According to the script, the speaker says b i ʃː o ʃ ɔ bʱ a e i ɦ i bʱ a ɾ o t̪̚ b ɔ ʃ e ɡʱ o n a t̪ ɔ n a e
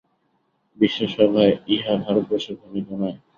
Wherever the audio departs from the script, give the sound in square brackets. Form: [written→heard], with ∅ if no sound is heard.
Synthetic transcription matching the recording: b i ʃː o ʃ ɔ bʱ a e i ɦ [i→a] bʱ a ɾ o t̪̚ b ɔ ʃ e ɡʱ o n [a→i] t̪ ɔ n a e